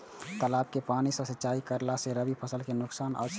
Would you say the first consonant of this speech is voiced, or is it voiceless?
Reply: voiceless